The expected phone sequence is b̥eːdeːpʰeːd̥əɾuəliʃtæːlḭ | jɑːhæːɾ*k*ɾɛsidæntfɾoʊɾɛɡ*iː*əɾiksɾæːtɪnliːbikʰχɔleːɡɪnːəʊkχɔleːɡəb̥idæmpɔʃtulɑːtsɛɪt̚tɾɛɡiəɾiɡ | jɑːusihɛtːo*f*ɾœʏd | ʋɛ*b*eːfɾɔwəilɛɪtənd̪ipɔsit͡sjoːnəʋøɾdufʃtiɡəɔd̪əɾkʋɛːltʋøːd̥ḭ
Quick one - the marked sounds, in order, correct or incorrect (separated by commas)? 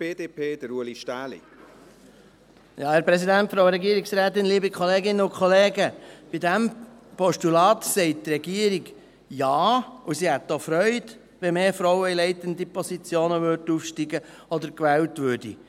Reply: incorrect, incorrect, correct, incorrect